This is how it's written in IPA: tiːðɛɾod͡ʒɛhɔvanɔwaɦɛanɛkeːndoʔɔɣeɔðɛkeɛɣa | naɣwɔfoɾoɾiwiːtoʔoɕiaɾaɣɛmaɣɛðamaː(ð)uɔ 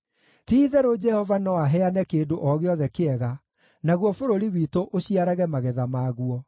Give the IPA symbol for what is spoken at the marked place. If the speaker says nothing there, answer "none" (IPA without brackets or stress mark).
ɣ